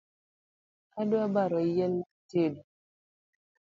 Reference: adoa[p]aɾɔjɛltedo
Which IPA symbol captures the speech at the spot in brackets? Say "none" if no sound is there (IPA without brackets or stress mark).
b